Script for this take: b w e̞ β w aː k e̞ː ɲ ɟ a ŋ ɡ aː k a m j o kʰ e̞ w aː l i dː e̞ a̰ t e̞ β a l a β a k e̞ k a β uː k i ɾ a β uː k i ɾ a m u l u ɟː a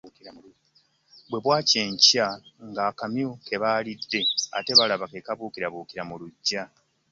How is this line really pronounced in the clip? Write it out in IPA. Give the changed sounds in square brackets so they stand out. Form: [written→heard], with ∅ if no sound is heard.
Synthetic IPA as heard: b w e̞ β w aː [k→c] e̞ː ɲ [ɟ→c] a ŋ ɡ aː k a m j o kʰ e̞ [w→β] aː l i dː e̞ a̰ t e̞ β a l a β a k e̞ k a β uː k i ɾ a β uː k i ɾ a m u l u ɟː a